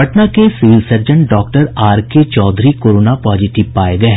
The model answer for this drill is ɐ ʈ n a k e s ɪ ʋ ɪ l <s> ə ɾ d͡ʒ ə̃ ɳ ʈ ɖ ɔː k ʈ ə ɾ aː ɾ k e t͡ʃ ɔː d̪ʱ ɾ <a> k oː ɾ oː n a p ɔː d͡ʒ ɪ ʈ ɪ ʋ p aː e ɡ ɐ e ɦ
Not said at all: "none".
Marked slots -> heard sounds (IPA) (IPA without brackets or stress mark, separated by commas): s, i